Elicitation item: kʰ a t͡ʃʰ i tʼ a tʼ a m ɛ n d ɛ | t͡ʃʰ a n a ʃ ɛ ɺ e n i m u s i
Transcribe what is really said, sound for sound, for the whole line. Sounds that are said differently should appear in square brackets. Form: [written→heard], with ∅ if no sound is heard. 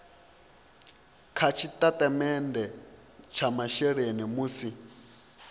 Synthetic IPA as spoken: kʰ a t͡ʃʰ i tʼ a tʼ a m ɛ n d ɛ | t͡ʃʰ a [n→m] a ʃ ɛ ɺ e n i m u s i